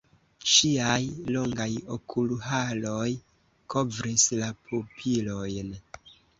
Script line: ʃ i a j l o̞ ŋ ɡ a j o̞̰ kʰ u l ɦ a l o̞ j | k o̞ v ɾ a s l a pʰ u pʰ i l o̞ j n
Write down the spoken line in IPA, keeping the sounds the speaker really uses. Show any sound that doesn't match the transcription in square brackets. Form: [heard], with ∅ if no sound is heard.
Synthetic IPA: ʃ i a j l o̞ ŋ ɡ a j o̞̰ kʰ u l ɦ a l o̞ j | k o̞ v ɾ [i] s l a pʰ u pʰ i l o̞ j n